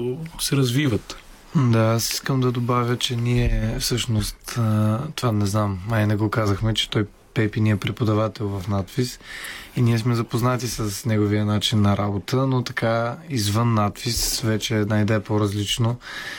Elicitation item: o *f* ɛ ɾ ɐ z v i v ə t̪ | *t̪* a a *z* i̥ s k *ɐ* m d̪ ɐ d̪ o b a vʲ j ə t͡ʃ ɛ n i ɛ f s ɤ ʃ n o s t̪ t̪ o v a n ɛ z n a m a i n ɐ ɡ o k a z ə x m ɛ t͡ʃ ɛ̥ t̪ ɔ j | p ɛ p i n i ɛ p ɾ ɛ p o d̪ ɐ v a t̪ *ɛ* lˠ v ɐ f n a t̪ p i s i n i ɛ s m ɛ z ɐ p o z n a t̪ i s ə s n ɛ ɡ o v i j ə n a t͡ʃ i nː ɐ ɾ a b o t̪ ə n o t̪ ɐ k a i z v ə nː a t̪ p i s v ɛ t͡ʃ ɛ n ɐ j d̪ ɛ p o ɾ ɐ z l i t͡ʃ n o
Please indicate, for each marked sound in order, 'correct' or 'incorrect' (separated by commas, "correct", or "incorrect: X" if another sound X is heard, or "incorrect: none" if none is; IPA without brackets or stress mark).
incorrect: s, incorrect: d̪, incorrect: s, incorrect: ə, correct